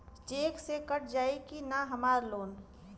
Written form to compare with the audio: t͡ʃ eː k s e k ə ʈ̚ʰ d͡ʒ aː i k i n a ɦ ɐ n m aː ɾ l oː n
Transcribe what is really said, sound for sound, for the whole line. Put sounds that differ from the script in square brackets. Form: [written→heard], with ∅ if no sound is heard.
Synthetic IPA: t͡ʃ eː k s e k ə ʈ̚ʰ d͡ʒ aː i k i n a ɦ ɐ [n→∅] m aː ɾ l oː n